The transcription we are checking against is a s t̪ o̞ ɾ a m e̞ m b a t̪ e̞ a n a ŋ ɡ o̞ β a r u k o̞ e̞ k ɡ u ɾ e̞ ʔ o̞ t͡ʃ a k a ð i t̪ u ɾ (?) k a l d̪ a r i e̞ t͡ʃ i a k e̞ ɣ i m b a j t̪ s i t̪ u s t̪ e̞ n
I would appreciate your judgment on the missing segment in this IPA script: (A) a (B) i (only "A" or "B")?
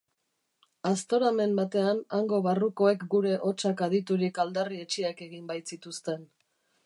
B